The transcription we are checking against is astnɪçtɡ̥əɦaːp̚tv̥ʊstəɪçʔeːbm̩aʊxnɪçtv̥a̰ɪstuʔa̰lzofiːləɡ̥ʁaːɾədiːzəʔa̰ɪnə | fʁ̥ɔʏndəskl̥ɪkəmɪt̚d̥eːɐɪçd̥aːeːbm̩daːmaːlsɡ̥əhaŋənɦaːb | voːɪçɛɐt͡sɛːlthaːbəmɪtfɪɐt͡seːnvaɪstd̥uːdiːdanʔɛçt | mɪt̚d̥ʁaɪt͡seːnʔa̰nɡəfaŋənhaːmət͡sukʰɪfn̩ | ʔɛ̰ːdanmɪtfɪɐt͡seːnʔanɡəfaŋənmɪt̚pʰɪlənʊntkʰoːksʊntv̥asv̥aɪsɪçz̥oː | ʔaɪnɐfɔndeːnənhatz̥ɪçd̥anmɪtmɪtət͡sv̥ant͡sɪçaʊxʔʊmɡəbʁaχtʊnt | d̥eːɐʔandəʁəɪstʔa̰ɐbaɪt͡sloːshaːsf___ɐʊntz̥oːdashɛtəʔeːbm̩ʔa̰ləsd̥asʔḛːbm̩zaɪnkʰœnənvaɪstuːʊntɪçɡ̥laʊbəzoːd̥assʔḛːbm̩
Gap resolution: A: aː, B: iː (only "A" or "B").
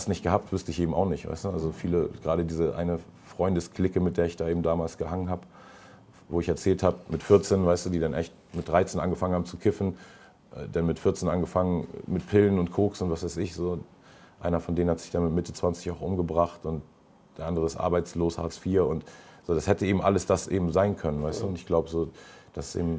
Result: B